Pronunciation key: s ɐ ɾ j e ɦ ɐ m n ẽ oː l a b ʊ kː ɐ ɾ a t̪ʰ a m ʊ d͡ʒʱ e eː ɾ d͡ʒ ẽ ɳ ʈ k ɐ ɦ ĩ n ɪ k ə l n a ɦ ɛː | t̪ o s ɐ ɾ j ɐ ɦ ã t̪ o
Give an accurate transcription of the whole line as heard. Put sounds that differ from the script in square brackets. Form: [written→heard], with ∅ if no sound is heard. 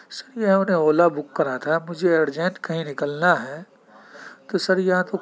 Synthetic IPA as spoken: s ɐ ɾ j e ɦ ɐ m n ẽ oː l a b ʊ kː ɐ ɾ a t̪ʰ a m ʊ d͡ʒʱ e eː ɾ d͡ʒ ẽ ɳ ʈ k ɐ ɦ ĩ n ɪ k ə l n a ɦ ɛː | t̪ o s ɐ ɾ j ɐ ɦ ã t̪ o